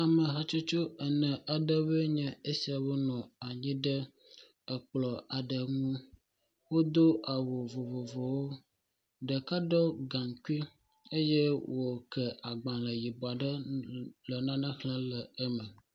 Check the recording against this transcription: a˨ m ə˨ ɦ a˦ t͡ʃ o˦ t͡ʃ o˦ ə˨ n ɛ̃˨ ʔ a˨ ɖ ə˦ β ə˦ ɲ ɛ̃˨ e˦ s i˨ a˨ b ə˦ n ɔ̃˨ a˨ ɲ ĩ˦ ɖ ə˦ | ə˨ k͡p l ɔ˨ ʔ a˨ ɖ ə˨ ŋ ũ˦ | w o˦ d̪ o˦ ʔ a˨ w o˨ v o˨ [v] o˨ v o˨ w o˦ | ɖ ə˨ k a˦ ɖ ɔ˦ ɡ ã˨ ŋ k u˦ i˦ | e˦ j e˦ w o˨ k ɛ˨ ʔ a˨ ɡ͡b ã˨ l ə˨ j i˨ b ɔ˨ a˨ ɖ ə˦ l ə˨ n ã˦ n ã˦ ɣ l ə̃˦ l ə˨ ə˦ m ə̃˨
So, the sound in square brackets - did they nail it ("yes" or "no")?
yes